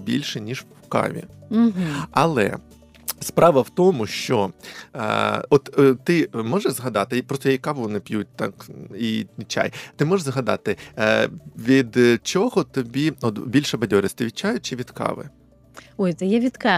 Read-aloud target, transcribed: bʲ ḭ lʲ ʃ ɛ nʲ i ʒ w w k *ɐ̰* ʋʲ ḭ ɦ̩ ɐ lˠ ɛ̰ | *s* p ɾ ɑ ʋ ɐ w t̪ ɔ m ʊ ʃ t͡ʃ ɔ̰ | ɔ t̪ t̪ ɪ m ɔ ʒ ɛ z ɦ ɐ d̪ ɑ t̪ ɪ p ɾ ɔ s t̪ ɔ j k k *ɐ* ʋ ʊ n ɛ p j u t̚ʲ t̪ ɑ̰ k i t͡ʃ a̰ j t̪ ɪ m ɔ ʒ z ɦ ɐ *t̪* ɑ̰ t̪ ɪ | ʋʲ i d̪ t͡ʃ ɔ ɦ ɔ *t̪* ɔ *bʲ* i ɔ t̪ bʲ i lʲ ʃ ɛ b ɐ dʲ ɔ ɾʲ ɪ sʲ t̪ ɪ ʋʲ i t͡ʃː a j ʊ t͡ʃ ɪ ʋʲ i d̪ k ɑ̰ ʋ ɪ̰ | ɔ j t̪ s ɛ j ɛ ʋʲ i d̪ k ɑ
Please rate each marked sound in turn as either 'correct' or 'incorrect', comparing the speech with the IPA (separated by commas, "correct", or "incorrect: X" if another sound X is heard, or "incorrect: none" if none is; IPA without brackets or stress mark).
incorrect: ɑ̰, correct, incorrect: ɑ, incorrect: d̪, correct, correct